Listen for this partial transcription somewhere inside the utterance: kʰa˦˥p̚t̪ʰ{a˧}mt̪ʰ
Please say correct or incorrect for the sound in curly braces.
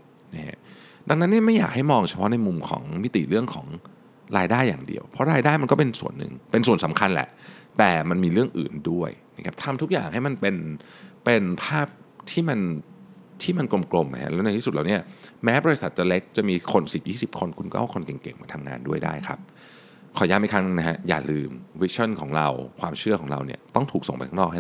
correct